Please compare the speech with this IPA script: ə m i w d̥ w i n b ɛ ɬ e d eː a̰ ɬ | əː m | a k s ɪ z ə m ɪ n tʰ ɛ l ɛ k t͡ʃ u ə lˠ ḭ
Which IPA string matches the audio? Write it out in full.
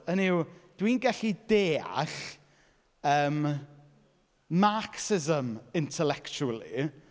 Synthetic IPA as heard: ə n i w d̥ w i n ɡ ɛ ɬ i d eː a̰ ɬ | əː m | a k s ɪ z ə m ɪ n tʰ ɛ l ɛ k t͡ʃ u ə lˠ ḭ